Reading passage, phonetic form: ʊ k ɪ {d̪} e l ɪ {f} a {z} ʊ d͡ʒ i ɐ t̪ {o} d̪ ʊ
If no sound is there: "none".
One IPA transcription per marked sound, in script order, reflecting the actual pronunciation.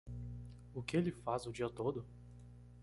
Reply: none, f, z, o

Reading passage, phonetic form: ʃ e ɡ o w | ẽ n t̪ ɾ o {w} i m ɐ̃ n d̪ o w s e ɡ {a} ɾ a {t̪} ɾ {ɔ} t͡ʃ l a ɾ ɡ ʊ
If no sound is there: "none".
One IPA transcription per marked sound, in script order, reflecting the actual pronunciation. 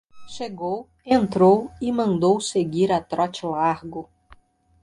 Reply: w, i, t̪, ɔ

